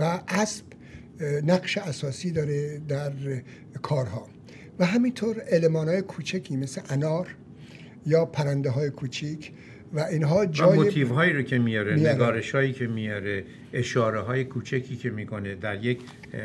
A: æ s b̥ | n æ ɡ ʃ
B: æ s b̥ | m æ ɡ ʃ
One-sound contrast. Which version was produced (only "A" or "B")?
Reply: A